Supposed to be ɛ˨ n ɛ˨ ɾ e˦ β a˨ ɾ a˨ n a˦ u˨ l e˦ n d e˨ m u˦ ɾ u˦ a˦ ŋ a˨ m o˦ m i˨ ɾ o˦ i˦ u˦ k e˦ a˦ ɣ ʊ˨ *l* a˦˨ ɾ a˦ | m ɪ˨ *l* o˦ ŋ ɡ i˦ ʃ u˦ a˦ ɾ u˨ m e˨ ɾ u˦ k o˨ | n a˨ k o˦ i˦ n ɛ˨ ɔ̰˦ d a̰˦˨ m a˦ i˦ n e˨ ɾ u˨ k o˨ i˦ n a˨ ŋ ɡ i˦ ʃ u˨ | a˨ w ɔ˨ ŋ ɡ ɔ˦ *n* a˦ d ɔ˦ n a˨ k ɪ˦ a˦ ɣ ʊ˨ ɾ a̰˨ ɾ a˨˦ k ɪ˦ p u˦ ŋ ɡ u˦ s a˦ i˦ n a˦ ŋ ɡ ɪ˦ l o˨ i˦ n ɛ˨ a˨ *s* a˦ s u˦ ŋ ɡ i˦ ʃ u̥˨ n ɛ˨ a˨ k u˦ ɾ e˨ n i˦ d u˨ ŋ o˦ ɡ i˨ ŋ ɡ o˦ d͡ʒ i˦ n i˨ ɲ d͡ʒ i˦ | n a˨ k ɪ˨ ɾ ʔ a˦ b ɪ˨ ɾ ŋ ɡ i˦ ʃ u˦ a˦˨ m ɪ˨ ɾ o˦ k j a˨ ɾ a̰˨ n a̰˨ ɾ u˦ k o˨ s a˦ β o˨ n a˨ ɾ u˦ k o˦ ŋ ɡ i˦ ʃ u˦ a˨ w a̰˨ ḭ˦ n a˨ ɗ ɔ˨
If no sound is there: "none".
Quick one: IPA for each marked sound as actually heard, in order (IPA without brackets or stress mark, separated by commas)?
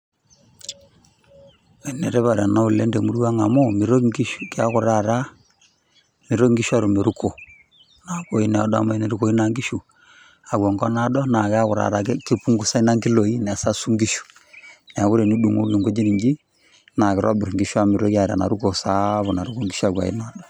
ɾ, ɾ, n, s